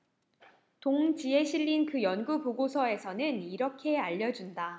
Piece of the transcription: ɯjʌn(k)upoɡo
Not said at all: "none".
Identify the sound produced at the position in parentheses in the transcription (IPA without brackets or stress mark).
ɡ